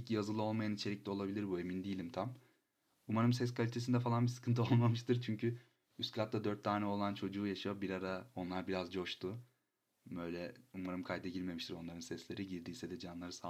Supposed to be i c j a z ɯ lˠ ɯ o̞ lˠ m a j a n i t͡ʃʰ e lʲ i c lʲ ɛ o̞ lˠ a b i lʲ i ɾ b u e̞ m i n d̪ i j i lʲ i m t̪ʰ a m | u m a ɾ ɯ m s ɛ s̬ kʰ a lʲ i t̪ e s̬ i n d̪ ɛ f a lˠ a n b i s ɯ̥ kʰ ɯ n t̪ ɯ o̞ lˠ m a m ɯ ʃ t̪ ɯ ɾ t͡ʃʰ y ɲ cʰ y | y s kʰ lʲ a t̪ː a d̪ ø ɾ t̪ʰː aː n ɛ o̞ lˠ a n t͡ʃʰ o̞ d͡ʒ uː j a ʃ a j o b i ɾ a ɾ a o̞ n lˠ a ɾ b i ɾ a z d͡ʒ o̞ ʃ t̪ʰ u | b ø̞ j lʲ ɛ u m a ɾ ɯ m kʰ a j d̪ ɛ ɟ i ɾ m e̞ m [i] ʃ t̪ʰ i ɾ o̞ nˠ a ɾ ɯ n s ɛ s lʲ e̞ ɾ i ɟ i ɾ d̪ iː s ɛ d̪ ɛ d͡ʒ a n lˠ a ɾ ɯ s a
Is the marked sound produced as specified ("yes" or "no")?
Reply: yes